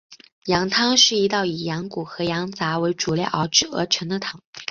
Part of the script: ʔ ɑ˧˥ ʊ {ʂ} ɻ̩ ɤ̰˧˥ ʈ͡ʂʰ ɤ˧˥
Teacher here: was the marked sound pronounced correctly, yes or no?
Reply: no